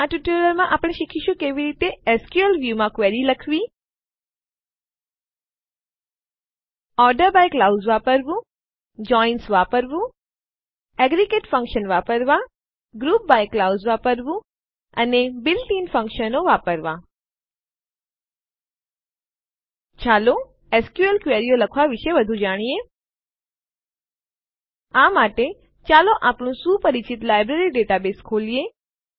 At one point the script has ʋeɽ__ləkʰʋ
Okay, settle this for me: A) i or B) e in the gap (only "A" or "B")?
A